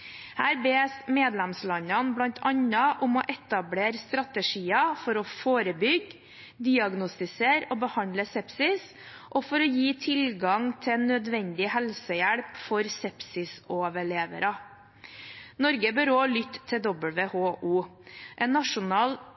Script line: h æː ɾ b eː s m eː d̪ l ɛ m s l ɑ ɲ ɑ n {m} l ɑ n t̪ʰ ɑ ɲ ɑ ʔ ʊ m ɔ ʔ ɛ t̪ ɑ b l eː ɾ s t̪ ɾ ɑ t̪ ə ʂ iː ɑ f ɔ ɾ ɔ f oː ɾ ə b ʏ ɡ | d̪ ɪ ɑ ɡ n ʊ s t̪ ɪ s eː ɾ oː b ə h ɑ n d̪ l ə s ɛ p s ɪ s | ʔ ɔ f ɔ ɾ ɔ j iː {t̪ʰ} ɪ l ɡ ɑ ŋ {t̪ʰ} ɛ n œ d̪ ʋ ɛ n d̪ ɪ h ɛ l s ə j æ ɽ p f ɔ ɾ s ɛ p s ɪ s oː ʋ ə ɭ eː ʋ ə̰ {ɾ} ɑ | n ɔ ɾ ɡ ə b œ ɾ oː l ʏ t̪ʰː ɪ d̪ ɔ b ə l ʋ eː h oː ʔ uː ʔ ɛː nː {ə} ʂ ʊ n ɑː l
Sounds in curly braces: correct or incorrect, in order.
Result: incorrect, correct, correct, correct, incorrect

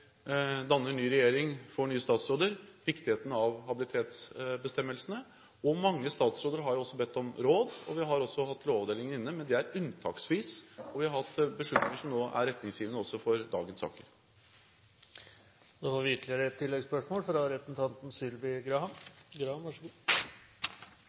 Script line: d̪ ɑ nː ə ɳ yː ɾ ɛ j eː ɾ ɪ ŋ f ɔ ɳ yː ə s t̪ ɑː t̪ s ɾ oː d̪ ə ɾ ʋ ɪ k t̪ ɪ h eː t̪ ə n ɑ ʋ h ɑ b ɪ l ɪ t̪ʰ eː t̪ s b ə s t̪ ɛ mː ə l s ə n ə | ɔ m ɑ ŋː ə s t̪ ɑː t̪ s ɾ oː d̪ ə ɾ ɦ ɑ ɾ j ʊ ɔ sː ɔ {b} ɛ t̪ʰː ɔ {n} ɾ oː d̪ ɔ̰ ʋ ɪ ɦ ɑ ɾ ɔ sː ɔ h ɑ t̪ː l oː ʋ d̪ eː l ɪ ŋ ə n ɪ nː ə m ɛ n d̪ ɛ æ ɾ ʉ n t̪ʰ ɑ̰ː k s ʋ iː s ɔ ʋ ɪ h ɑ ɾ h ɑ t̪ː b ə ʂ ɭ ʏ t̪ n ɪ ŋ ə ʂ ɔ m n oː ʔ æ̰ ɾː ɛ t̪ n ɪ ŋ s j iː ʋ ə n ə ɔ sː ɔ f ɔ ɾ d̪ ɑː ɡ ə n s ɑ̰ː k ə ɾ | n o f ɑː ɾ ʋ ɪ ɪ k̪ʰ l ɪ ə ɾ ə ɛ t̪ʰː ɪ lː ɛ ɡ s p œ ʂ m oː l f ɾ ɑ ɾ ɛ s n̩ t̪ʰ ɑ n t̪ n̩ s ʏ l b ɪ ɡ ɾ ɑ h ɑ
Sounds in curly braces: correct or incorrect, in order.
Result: correct, incorrect

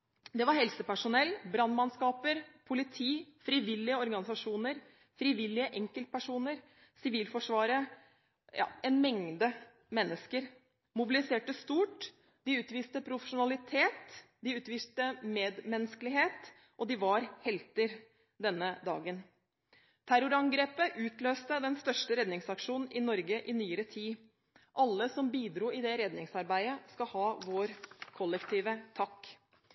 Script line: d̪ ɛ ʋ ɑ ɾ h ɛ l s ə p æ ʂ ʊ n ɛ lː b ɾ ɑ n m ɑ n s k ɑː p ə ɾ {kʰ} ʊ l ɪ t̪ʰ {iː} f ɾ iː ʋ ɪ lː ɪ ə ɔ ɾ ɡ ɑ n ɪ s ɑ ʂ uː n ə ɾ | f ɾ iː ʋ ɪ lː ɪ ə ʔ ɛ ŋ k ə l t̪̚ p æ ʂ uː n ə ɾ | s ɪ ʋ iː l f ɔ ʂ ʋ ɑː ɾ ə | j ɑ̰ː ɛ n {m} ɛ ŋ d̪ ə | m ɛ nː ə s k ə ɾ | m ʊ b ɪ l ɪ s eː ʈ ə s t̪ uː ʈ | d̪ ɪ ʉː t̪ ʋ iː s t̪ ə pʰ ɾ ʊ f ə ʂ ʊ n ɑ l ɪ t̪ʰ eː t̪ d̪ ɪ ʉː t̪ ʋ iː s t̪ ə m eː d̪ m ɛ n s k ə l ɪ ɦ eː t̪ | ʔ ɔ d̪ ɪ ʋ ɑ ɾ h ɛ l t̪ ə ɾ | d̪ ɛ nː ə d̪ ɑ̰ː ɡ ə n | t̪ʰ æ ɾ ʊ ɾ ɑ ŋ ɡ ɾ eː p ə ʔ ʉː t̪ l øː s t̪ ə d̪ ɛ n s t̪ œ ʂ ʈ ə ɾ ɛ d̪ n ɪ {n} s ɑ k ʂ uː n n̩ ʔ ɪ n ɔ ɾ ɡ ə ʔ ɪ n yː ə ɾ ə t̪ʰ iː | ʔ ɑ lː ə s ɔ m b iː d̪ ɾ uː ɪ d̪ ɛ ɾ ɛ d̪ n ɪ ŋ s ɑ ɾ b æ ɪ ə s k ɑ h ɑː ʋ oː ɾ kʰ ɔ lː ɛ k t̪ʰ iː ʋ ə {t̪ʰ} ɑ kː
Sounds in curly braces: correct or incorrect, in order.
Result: incorrect, correct, correct, incorrect, correct

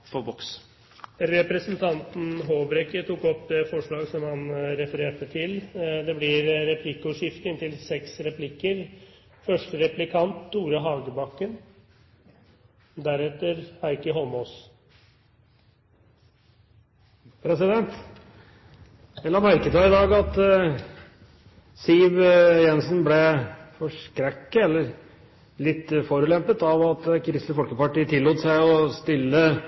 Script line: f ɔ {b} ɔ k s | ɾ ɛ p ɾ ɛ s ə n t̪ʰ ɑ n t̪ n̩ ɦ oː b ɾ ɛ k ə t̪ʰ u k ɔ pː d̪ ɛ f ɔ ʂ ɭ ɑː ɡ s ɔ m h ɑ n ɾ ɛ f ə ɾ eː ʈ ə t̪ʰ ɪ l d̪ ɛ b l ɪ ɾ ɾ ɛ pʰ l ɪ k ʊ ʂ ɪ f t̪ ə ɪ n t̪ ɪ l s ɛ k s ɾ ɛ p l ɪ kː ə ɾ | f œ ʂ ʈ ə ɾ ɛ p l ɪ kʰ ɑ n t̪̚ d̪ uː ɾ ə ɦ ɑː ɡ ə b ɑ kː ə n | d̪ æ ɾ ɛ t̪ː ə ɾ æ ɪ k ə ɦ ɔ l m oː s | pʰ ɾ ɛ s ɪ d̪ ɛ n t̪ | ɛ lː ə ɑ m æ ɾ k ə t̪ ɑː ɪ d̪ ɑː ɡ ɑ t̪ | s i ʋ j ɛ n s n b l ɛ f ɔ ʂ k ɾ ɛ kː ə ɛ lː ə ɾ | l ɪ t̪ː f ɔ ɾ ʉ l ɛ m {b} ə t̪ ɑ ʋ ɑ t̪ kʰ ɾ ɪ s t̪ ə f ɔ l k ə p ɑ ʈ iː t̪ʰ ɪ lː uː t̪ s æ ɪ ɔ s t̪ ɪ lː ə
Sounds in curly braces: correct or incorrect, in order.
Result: correct, incorrect

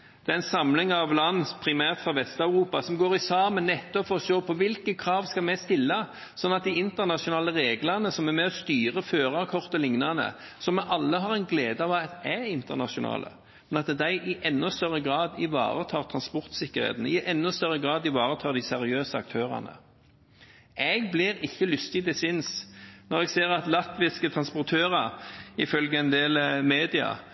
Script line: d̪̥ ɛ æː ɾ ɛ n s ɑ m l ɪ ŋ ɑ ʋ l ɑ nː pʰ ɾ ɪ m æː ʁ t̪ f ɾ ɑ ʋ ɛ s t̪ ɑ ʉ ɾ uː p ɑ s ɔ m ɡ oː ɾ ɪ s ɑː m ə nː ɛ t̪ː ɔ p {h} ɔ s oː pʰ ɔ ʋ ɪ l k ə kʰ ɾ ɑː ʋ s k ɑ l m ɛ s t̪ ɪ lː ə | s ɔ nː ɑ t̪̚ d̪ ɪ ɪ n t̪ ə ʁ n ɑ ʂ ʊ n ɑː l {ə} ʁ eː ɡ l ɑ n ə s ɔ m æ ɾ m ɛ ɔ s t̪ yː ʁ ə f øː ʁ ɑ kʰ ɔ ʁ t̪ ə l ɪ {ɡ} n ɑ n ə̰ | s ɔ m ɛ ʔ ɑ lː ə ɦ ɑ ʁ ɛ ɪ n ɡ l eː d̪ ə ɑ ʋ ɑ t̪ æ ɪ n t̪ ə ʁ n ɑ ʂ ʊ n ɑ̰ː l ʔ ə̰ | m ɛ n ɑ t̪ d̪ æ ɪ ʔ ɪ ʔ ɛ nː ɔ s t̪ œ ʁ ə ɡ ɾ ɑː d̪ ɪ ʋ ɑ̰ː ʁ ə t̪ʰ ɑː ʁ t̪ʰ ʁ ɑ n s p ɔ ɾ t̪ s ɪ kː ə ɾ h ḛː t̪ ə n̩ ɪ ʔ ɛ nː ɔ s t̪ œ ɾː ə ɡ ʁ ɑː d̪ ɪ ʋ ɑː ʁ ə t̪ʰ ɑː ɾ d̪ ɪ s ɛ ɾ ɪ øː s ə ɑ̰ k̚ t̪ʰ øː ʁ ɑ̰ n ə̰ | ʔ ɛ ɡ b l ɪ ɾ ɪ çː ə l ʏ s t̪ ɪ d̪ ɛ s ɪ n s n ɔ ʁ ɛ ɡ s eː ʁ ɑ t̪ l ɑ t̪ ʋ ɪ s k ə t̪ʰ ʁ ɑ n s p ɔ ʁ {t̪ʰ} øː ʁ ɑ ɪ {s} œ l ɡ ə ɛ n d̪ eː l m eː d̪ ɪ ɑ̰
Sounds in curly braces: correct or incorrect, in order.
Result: incorrect, correct, incorrect, correct, incorrect

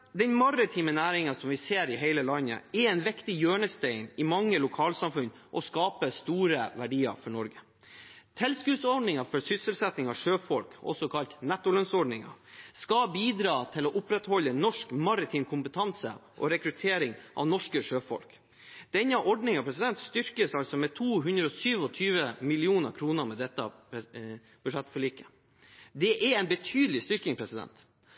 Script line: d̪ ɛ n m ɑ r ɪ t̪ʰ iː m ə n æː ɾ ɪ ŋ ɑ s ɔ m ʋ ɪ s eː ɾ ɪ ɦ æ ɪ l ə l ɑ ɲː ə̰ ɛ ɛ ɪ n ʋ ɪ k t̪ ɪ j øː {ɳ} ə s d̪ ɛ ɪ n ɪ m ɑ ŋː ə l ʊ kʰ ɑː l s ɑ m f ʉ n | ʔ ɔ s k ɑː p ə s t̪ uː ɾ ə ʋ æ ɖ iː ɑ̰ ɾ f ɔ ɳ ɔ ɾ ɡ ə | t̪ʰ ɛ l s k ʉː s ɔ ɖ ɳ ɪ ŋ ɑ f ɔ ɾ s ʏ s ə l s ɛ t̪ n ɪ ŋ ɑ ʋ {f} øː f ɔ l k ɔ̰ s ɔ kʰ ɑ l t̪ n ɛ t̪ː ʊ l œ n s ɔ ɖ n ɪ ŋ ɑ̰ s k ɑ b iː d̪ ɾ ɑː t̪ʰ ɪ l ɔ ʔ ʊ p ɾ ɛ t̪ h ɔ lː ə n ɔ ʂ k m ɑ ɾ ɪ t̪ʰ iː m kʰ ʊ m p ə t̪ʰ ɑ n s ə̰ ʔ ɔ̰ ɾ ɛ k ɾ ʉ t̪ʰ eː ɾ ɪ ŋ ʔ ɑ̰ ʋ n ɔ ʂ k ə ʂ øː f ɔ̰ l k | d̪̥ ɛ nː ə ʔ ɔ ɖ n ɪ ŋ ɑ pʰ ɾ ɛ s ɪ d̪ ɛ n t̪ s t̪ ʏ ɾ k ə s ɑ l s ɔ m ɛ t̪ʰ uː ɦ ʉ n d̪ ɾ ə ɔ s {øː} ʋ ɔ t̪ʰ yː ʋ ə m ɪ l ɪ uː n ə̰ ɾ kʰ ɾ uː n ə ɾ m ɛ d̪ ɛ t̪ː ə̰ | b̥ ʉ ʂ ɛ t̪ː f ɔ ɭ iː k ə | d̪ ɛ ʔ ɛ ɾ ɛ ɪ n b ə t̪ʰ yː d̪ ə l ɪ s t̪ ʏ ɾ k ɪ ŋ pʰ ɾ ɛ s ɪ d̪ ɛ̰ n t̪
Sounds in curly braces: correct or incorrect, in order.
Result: correct, incorrect, incorrect

